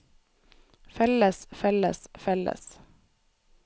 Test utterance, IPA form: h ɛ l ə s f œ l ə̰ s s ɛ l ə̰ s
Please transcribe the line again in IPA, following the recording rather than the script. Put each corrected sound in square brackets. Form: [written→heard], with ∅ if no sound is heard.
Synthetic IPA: [h→f] ɛ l ə s f [œ→ɛ] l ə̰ s [s→f] ɛ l ə̰ s